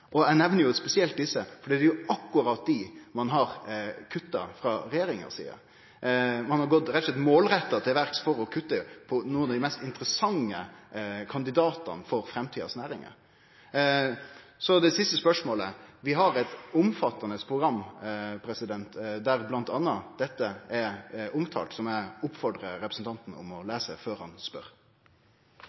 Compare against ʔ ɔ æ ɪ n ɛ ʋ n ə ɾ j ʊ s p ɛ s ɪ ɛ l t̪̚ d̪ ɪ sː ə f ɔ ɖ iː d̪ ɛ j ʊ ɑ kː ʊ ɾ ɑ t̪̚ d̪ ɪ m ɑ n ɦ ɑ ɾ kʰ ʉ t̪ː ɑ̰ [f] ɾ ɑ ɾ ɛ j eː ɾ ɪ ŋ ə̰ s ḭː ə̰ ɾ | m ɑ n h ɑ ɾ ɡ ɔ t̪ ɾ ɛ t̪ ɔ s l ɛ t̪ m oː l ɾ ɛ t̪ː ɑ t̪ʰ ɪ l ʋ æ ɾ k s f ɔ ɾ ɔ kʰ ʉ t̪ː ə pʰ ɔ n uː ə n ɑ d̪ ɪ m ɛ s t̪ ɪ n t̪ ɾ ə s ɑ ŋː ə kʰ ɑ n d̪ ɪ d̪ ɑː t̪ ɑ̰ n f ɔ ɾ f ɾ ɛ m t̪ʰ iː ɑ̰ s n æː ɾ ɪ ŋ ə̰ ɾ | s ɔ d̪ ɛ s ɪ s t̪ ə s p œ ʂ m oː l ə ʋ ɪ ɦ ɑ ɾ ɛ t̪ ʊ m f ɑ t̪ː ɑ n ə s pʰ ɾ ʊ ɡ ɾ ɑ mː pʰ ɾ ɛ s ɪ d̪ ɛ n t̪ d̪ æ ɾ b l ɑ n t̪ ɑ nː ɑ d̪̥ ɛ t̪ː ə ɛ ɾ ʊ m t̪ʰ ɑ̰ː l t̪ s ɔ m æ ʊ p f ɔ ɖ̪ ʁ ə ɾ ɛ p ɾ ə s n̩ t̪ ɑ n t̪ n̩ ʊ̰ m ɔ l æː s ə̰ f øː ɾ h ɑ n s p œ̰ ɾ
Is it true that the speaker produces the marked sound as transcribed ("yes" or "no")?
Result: yes